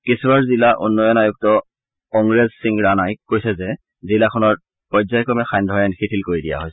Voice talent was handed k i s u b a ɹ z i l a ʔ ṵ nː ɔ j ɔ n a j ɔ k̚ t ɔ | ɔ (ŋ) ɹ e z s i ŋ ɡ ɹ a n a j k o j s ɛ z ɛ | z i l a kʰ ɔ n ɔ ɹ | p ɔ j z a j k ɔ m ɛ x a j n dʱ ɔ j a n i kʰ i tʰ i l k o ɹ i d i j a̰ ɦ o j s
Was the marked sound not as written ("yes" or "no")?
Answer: no